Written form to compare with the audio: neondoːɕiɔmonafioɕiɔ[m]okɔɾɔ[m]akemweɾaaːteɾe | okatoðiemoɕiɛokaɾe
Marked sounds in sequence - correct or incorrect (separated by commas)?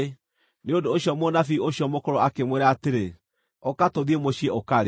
correct, incorrect